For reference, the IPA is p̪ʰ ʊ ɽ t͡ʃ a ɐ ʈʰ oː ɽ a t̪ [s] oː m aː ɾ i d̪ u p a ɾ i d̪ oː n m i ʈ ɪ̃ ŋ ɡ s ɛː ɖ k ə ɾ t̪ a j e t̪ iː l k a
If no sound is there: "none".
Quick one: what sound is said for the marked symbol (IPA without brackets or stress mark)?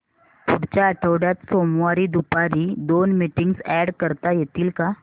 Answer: s